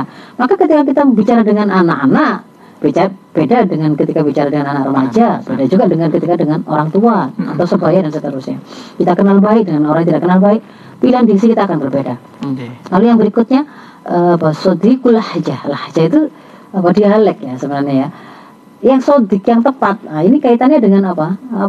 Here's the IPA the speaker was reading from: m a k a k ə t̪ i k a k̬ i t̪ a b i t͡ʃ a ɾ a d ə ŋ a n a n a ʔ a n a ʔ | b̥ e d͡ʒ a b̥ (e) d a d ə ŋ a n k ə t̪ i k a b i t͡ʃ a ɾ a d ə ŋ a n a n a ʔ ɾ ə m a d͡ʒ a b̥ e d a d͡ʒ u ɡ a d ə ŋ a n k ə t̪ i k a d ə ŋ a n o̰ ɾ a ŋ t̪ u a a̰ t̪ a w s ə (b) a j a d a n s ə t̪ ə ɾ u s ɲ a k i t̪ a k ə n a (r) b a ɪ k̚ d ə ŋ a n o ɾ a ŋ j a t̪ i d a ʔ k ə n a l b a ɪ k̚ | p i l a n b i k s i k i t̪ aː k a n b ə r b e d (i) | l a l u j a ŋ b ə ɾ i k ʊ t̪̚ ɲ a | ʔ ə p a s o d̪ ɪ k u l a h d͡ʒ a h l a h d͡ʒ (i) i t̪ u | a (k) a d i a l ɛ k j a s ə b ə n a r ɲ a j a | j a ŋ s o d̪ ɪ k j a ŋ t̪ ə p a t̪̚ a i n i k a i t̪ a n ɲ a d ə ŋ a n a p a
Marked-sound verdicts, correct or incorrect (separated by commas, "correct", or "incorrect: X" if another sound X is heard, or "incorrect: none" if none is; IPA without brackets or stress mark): correct, correct, incorrect: l, incorrect: a, incorrect: a, incorrect: p